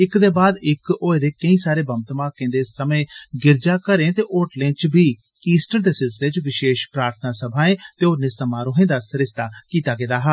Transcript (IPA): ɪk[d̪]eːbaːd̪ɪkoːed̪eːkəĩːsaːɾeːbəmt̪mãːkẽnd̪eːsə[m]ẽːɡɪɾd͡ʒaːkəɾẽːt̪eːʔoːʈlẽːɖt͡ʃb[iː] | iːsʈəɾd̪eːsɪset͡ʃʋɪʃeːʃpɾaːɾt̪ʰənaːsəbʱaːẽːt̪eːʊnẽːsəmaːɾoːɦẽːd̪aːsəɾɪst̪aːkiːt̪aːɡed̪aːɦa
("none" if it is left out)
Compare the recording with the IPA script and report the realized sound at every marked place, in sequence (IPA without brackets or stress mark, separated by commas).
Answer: d̪, m, iː